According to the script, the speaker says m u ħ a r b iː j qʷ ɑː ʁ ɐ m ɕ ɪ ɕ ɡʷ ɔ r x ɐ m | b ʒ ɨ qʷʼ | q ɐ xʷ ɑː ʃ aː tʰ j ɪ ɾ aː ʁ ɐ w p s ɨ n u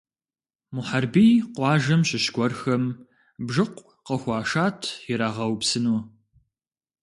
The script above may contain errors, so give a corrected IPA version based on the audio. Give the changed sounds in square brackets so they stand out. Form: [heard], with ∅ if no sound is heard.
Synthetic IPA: m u ħ a r b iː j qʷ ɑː [ʒ] ɐ m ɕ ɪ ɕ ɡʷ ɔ r x ɐ m | b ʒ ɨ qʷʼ | q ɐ xʷ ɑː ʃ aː tʰ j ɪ ɾ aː ʁ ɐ w p s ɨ n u